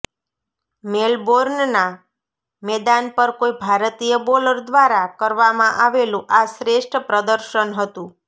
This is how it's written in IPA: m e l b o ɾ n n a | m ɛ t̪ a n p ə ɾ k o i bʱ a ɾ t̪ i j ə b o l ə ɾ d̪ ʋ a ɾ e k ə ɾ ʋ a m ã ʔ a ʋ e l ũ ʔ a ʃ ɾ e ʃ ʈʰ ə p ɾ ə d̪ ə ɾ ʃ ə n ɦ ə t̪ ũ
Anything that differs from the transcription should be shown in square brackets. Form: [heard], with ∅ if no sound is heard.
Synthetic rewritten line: m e l b o ɾ n n a | m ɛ [d̪] a n p ə ɾ k o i bʱ a ɾ t̪ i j ə b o l ə ɾ d̪ ʋ a ɾ [a] k ə ɾ ʋ a m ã ʔ a ʋ e l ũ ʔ a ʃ ɾ e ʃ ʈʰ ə p ɾ ə d̪ ə ɾ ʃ ə n ɦ ə t̪ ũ